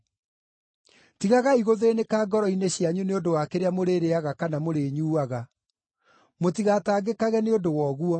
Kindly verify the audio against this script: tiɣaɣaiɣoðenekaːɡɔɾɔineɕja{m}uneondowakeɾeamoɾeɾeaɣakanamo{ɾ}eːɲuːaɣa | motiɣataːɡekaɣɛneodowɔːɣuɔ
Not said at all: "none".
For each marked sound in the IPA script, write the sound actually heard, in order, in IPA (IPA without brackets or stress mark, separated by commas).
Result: ɲ, ɾ